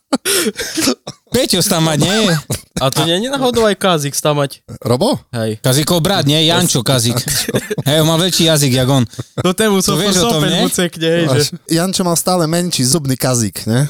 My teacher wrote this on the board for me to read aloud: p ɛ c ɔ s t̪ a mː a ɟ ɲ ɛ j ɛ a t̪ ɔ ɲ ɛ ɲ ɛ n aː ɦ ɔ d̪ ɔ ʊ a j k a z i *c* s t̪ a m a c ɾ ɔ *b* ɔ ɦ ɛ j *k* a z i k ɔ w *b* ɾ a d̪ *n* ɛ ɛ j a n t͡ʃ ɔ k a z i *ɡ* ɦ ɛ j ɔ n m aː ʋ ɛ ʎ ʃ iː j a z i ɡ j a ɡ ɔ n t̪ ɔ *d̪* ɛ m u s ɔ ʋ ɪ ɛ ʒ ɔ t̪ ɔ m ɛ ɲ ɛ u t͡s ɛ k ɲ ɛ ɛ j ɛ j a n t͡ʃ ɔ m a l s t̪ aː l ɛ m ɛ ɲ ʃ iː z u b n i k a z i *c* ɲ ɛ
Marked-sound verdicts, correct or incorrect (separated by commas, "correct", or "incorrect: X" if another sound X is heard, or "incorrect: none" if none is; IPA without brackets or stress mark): incorrect: k, correct, correct, correct, incorrect: ɲ, incorrect: k, incorrect: t̪, incorrect: k